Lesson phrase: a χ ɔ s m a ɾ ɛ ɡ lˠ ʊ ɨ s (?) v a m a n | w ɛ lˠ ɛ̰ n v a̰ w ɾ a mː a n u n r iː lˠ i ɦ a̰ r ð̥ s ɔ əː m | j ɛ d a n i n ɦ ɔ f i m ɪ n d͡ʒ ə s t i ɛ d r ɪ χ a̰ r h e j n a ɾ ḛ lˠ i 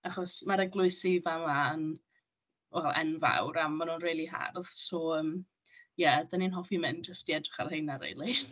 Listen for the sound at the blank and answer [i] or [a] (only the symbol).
i